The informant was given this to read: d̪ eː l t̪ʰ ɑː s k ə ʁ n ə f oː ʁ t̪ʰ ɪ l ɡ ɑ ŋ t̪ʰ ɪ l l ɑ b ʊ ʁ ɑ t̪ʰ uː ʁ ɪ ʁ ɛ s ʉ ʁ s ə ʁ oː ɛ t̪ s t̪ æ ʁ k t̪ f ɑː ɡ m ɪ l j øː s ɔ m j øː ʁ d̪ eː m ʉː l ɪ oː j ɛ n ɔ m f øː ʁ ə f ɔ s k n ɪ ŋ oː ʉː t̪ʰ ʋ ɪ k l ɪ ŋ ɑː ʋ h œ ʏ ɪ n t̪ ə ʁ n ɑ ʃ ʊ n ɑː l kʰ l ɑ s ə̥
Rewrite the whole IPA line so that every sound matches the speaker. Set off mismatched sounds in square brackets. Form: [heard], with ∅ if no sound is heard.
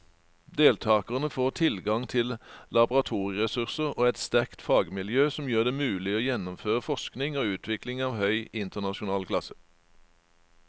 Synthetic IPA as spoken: d̪ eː l t̪ʰ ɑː [∅] k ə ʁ n ə f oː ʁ t̪ʰ ɪ l ɡ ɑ ŋ t̪ʰ ɪ l l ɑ b ʊ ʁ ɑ t̪ʰ uː ʁ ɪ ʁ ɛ s ʉ ʁ s ə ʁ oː ɛ t̪ s t̪ æ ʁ k t̪ f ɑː ɡ m ɪ l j øː s ɔ m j øː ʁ d̪ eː m ʉː l ɪ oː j ɛ n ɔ m f øː ʁ ə f ɔ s k n ɪ ŋ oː ʉː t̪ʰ ʋ ɪ k l ɪ ŋ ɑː ʋ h œ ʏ ɪ n t̪ ə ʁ n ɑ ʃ ʊ n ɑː l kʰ l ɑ s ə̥